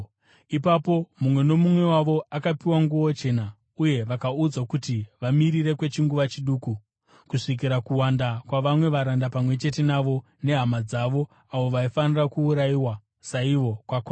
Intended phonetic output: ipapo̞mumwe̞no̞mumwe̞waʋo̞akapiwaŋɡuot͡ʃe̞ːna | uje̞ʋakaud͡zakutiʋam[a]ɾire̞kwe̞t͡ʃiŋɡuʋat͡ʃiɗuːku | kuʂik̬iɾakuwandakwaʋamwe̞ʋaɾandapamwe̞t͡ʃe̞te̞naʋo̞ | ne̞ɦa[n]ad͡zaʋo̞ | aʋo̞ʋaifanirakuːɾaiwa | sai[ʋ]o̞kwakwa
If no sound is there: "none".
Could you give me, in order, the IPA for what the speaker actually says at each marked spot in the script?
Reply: i, m, ʋ

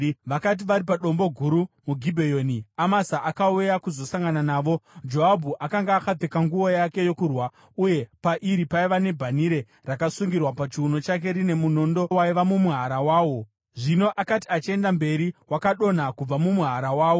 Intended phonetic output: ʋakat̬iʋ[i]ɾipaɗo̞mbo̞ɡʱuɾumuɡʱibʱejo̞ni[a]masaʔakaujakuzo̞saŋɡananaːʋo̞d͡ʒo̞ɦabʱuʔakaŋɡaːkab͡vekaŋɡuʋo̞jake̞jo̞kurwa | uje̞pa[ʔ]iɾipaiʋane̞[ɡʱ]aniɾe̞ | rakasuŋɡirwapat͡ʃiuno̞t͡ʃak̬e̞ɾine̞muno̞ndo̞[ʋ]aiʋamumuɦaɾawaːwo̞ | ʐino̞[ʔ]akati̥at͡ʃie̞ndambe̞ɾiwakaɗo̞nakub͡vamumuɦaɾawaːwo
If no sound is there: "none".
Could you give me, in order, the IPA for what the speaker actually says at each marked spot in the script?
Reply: a, a, ʔ, bʱ, w, ʔ

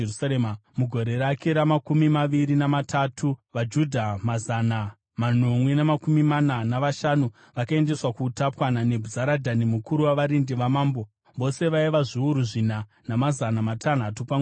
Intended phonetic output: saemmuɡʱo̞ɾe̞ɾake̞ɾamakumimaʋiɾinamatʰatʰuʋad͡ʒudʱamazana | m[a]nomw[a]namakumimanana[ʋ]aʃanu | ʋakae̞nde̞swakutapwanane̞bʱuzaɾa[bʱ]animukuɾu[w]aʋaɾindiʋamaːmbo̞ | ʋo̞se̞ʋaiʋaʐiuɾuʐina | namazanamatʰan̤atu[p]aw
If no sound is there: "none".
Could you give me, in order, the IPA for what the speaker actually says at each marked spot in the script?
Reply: a, e, ʋ, dʱ, w, p

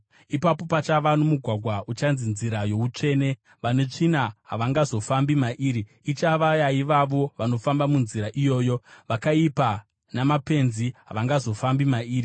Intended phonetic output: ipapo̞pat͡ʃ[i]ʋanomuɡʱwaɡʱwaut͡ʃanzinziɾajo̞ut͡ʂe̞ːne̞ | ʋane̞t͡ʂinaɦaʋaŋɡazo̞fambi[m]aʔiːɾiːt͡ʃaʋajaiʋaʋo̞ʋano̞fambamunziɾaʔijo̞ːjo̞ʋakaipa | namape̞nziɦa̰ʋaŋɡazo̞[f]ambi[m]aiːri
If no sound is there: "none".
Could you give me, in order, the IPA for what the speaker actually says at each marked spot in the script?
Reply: a, m, f, m

